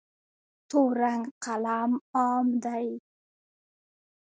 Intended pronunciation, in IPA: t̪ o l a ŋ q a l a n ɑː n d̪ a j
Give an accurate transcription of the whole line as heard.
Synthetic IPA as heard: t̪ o ɾ a ŋ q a l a m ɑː m d̪ a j